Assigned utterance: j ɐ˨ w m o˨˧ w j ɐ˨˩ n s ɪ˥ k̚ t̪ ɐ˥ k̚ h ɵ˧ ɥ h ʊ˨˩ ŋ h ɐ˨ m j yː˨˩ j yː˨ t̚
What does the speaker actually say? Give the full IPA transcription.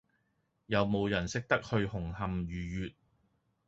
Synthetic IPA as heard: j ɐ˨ w m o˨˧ w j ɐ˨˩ n s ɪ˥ k̚ t̪ ɐ˥ k̚ h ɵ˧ ɥ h ʊ˨˩ ŋ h ɐ˨ m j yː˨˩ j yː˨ t̚

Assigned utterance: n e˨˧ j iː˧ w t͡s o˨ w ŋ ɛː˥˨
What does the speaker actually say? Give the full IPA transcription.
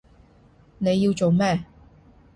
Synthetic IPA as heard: n e˨˧ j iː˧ w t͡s o˨ w m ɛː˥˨

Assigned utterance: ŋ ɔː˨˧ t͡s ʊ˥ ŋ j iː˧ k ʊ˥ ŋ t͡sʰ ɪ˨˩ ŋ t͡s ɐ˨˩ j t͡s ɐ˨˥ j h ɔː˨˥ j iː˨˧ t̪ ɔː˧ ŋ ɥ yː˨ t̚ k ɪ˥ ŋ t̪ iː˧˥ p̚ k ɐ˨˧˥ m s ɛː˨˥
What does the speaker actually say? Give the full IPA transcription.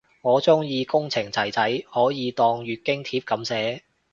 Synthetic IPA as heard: ŋ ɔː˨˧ t͡s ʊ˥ ŋ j iː˧ k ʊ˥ ŋ t͡sʰ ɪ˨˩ ŋ t͡s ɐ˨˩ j t͡s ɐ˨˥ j h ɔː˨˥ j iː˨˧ t̪ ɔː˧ ŋ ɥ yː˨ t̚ k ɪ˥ ŋ t̪ʰ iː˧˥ p̚ k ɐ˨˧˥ m s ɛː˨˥

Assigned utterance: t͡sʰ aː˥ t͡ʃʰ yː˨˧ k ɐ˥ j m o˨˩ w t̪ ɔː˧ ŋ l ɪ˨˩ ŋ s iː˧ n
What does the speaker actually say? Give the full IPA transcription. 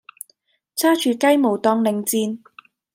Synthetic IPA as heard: t͡sʰ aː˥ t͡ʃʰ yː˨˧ k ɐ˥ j m o˨˩ w t̪ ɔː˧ ŋ l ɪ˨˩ ŋ t͡s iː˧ n

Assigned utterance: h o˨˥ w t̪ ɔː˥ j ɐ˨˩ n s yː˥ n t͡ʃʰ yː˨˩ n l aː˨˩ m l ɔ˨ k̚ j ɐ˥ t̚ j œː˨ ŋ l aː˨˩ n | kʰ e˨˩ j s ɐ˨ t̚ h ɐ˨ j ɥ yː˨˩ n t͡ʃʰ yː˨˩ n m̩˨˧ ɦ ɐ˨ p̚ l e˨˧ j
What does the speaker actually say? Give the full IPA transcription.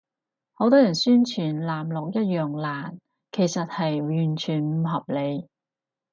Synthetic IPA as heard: h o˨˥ w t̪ ɔː˥ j ɐ˨˩ n s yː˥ n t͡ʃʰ yː˨˩ n l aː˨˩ m l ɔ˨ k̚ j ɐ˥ t̚ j œː˨ ŋ l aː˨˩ n | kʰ e˨˩ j s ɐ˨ t̚ h ɐ˨ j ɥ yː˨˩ n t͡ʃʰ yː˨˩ n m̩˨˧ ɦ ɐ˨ p̚ l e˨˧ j

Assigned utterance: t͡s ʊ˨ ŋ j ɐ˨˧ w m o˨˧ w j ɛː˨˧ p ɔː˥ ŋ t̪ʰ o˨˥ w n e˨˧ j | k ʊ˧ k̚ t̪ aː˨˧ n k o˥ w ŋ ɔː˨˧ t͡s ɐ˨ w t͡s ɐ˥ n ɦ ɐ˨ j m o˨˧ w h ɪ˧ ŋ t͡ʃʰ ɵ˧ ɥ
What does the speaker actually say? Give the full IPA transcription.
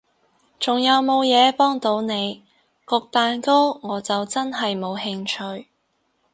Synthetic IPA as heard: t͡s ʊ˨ ŋ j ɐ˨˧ w m o˨˧ w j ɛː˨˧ p ɔː˥ ŋ t̪ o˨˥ w n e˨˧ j | k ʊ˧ k̚ t̪ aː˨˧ n k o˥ w ŋ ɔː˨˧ t͡s ɐ˨ w t͡s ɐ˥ n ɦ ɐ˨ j m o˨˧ w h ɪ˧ ŋ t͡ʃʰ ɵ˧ ɥ

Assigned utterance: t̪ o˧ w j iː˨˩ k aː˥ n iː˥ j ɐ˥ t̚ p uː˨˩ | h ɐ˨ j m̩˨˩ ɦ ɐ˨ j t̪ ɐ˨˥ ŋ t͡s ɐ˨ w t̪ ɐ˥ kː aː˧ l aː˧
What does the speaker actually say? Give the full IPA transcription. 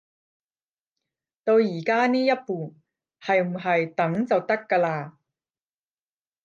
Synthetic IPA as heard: t̪ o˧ w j iː˨˩ k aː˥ n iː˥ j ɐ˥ t̚ p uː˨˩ | h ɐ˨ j m̩˨˩ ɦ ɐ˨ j t̪ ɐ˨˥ ŋ t͡s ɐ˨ w t̪ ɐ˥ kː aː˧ l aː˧

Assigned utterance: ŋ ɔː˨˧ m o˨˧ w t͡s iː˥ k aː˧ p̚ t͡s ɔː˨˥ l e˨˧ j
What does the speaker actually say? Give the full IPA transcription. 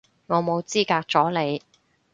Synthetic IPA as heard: ŋ ɔː˨˧ m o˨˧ w t͡s iː˥ k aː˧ k̚ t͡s ɔː˨˥ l e˨˧ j

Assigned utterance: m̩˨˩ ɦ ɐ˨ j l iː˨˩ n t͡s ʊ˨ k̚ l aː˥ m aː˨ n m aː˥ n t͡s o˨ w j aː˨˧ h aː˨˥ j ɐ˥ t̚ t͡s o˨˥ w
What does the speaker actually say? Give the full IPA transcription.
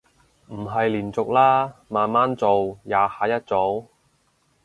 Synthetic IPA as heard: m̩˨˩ ɦ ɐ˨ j l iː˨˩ n t͡s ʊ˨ k̚ l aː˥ m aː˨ n m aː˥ n t͡s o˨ w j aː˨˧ h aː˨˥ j ɐ˥ t̚ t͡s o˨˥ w

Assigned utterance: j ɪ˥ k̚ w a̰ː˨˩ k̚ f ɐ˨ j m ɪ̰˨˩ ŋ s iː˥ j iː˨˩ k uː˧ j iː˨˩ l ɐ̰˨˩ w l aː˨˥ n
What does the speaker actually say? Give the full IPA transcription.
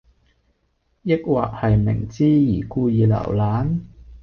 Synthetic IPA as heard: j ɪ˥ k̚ w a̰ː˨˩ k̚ h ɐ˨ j m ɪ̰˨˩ ŋ t͡s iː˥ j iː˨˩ k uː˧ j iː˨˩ l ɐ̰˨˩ w l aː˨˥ n

